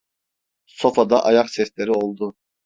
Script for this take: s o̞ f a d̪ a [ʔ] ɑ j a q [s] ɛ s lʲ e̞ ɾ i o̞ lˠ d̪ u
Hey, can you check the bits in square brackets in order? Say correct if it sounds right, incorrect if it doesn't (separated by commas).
correct, correct